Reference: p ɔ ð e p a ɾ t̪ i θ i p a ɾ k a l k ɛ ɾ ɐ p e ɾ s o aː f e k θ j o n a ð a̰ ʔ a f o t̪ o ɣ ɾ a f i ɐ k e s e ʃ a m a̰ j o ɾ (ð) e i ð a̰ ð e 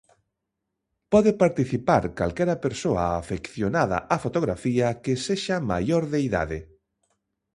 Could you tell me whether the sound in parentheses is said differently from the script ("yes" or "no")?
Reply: no